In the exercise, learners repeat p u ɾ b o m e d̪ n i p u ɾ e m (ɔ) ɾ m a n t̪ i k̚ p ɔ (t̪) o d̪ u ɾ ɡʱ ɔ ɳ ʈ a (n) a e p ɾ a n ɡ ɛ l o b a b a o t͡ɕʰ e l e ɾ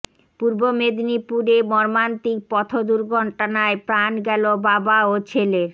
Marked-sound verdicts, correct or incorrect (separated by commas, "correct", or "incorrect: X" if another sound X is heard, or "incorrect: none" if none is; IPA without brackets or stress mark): correct, incorrect: t̪ʰ, correct